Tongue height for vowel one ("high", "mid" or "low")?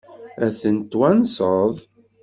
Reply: low